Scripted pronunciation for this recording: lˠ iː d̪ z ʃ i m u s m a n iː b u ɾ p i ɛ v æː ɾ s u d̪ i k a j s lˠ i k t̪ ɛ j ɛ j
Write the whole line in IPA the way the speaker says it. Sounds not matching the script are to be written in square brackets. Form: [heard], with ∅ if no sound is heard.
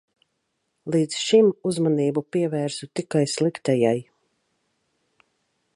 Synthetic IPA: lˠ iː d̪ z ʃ i m u [z] m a n iː b u [∅] p i ɛ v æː ɾ s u [t̪] i k a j s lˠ i k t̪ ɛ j [a] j

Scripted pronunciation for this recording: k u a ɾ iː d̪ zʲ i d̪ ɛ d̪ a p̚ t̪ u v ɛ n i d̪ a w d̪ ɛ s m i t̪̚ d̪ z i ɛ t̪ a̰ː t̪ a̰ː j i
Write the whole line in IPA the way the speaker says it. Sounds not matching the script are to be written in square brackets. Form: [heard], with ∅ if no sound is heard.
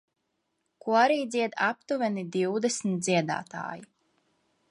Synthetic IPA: k u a ɾ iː d̪ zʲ i [∅] ɛ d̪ a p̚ t̪ u v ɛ n i d̪ [i] w d̪ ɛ s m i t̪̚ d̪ z i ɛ [d̪] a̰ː t̪ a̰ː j i

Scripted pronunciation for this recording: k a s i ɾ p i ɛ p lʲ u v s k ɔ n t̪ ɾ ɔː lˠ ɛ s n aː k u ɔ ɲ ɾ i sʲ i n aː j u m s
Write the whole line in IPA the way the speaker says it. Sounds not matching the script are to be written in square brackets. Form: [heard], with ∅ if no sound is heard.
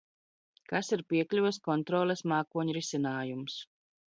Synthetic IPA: k a s i ɾ p i ɛ [k] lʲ u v s k ɔ n t̪ ɾ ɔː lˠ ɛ s [m] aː k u ɔ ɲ ɾ i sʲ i n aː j u m s

